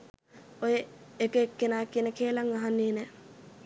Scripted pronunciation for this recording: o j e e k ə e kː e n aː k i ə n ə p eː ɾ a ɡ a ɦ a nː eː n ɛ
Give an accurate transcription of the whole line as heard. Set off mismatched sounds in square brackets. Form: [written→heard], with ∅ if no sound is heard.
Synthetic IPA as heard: o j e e k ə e kː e n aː k i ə n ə [p→k] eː [ɾ→l] a [ɡ→ŋ] a ɦ a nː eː n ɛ